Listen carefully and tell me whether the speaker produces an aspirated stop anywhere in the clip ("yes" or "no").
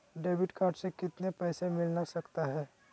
no